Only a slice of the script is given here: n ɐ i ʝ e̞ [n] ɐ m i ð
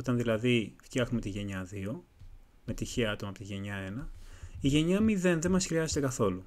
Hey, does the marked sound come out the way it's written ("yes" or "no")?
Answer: no